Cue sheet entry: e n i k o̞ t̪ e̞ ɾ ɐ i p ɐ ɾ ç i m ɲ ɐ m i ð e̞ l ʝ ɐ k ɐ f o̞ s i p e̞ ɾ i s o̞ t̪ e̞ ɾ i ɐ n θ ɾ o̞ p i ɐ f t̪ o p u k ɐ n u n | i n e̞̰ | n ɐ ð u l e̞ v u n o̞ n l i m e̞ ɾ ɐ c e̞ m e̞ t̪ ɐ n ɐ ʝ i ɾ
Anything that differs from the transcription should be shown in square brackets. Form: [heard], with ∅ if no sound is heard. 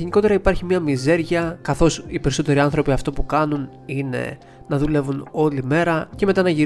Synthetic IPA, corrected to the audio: e n i k o̞ t̪ e̞ ɾ ɐ i p ɐ ɾ ç i m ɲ ɐ m i [z] e̞ [ɾ] ʝ ɐ k ɐ [θ] o̞ s i p e̞ ɾ i s o̞ t̪ e̞ ɾ i ɐ n θ ɾ o̞ p i ɐ f t̪ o p u k ɐ n u n | i n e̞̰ | n ɐ ð u l e̞ v u n o̞ [∅] l i m e̞ ɾ ɐ c e̞ m e̞ t̪ ɐ n ɐ ʝ i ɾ